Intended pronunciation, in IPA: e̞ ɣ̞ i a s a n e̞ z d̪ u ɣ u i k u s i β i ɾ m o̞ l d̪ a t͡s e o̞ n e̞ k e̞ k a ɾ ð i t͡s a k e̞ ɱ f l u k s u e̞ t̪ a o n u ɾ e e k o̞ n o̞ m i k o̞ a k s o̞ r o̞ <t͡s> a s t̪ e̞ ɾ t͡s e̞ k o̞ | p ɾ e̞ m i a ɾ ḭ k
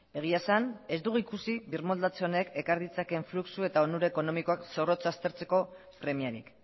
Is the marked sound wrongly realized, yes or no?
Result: no